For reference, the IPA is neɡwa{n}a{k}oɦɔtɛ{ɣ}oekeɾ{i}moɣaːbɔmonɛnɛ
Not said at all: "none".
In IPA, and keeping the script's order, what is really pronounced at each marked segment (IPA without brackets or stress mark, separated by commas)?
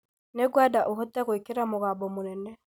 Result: d, ʔ, ɣ, a